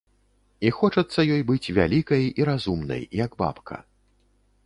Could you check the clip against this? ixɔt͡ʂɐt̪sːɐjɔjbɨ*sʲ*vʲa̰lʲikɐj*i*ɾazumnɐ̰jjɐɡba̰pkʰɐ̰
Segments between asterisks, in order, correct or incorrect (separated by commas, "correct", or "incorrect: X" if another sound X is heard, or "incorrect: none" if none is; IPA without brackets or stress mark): incorrect: t͡sʲ, correct